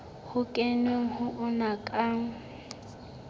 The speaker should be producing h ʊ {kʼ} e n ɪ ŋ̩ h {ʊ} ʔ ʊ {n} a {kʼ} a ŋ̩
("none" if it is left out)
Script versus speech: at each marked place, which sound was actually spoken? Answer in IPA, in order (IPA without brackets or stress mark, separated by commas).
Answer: kʼ, ʊ, n, kʼ